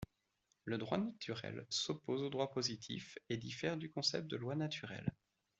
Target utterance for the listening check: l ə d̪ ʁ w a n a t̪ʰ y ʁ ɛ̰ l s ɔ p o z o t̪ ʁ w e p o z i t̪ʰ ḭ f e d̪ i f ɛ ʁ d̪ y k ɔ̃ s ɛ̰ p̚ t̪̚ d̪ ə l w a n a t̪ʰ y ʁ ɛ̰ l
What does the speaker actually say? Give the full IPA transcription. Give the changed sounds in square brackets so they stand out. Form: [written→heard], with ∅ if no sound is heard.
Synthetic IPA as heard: l ə d̪ ʁ w a n a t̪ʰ y ʁ ɛ̰ l s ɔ p o z o [t̪→d̪] ʁ w [e→a] p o z i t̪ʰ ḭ f e d̪ i f ɛ ʁ d̪ y k ɔ̃ s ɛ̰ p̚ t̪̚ d̪ ə l w a n a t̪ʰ y ʁ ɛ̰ l